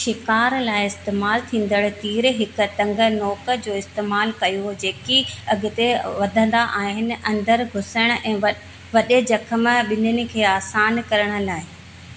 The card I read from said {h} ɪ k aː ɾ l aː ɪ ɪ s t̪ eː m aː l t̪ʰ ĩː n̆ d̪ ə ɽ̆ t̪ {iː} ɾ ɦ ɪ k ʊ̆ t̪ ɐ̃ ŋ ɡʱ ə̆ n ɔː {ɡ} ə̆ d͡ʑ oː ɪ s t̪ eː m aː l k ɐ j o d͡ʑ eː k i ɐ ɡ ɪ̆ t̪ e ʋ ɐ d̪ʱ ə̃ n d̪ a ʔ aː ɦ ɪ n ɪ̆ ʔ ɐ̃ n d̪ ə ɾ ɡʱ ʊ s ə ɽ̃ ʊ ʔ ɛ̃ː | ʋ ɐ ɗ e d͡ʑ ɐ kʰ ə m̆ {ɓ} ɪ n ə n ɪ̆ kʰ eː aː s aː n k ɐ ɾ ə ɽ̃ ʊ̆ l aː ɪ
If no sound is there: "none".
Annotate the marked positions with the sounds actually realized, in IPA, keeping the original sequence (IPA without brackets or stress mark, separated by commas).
ʃ, iː, k, ɓ